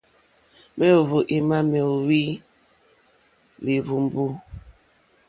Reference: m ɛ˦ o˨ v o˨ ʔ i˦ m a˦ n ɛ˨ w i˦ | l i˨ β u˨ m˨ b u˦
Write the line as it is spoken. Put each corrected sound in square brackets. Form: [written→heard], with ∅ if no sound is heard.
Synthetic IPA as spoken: m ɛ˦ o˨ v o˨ ʔ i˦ m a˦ [n→m] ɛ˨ w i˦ | l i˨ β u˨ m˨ b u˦